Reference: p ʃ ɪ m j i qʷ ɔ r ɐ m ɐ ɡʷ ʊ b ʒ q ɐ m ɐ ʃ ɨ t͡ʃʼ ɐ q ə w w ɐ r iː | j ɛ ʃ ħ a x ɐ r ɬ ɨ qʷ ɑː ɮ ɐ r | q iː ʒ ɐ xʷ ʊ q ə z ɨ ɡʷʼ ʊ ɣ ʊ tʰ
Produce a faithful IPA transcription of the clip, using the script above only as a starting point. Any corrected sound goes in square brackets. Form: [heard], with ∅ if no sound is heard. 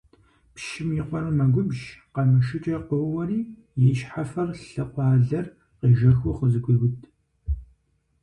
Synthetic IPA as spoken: p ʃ ɪ m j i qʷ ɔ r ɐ m ɐ ɡʷ ʊ b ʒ q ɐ m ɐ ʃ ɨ t͡ʃʼ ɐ q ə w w ɐ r iː | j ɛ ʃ ħ a [f] ɐ r ɬ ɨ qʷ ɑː ɮ ɐ r | q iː ʒ ɐ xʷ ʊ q ə z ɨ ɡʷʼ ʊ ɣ ʊ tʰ